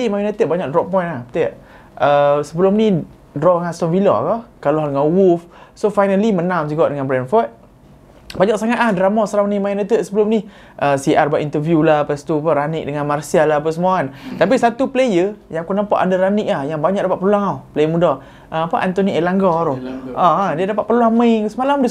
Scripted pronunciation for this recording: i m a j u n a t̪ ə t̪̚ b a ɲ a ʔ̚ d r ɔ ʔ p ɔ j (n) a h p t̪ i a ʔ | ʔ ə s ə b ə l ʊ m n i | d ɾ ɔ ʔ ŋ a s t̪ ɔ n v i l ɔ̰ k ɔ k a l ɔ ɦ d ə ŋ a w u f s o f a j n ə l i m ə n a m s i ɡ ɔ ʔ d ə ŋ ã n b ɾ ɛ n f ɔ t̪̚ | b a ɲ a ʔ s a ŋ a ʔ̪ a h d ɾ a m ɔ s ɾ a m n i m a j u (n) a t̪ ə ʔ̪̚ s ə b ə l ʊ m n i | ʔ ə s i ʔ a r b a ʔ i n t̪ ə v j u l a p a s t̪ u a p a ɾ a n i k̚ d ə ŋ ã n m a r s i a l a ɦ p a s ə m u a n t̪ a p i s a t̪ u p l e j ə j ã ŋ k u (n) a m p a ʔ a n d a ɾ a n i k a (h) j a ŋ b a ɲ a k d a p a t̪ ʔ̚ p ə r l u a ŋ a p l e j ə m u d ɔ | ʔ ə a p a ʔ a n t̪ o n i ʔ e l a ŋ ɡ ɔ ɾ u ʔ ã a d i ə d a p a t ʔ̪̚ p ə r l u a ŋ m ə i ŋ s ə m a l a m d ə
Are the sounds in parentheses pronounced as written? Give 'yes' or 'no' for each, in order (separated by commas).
yes, yes, yes, yes